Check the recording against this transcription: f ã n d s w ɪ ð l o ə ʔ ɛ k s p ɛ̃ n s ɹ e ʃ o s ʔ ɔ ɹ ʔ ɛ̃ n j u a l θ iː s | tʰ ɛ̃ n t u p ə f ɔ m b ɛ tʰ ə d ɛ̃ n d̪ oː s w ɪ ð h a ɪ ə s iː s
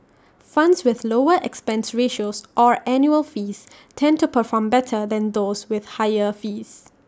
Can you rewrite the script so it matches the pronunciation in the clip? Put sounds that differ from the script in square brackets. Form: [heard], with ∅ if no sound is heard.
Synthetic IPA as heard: f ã n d s w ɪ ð l o ə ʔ ɛ k s p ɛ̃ n s ɹ e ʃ o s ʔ ɔ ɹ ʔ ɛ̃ n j u [ə] l [f] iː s | tʰ ɛ̃ n t u p ə f ɔ m b ɛ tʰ ə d ɛ̃ n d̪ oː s w ɪ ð h a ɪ ə [f] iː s

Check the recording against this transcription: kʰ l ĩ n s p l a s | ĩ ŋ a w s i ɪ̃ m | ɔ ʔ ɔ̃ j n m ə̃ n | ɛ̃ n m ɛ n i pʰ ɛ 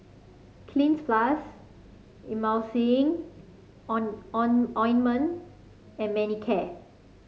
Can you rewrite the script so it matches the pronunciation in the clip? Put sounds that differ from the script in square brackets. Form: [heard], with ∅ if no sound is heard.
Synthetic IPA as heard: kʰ l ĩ n s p l a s | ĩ [m] a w s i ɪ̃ [ŋ] | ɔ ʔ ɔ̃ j n m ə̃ n | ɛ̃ n m ɛ n i [kʰ] ɛ

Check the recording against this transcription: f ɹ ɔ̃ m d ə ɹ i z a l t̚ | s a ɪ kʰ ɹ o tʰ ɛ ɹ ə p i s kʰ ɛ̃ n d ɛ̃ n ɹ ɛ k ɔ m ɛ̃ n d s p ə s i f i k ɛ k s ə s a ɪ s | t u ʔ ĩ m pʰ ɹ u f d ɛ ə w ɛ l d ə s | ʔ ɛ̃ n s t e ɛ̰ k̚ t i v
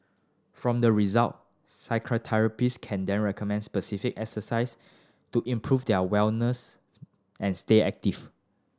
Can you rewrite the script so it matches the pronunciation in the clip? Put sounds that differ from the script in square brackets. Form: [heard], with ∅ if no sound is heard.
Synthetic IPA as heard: f ɹ ɔ̃ m d ə ɹ i z a l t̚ | s a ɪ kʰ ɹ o tʰ ɛ ɹ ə p i s kʰ ɛ̃ n d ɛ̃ n ɹ ɛ k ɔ m ɛ̃ n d s p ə s i f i k ɛ k s ə s a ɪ s | t u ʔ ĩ m pʰ ɹ u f d ɛ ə w ɛ l [n] ə s | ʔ ɛ̃ n s t e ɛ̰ k̚ t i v

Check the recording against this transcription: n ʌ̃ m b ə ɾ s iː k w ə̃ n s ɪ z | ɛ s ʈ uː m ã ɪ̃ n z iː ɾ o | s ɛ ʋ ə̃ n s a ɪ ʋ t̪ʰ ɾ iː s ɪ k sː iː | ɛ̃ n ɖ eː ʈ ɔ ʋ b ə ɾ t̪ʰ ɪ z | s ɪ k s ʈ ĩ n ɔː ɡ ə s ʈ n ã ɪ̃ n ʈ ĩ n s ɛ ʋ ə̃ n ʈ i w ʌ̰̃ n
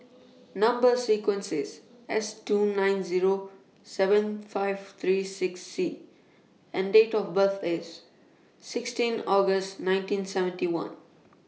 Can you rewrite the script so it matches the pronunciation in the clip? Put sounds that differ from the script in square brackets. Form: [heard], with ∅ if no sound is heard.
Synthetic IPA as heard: n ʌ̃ m b ə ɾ s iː k w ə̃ n s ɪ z | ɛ s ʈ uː [n] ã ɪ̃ n z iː ɾ o | s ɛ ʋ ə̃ n [f] a ɪ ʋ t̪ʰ ɾ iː s ɪ k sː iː | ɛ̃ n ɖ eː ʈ ɔ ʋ b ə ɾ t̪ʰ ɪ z | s ɪ k s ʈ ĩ n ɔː ɡ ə s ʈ n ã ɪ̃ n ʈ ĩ n s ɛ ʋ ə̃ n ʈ i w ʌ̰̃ n

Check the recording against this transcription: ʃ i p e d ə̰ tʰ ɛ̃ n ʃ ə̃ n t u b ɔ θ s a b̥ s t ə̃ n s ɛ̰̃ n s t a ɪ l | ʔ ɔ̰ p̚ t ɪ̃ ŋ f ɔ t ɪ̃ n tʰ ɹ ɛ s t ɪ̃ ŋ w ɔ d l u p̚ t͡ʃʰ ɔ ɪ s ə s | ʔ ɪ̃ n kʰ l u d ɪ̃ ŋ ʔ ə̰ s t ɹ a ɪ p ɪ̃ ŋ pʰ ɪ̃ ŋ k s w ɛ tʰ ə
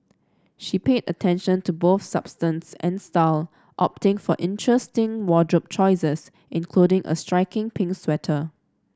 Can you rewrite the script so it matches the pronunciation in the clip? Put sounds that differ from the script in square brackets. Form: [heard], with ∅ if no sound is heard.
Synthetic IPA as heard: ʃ i p e d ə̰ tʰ ɛ̃ n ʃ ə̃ n t u b [o] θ s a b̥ s t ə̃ n s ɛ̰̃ n s t a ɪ l | ʔ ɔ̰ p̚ t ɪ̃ ŋ f ɔ [ʔ] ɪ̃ n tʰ ɹ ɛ s t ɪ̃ ŋ w ɔ d [ɹ] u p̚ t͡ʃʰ ɔ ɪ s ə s | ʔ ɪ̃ n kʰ l u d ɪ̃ ŋ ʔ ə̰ s t ɹ a ɪ [k] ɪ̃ ŋ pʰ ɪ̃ ŋ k s w ɛ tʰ ə

